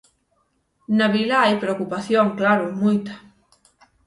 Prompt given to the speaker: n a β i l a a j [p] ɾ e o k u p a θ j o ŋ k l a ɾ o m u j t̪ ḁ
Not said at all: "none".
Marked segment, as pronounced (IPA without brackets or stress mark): p